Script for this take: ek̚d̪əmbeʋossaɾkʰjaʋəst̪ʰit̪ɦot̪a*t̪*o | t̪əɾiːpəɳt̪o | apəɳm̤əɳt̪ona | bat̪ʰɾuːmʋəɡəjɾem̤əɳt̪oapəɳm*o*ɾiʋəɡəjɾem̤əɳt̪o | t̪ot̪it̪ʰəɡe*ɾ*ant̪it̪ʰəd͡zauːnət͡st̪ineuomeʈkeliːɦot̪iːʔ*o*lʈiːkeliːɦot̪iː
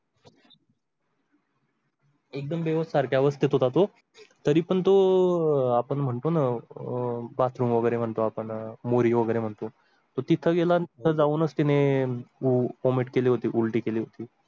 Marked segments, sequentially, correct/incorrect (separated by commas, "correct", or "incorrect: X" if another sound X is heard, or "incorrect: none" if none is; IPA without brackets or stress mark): correct, correct, incorrect: l, incorrect: u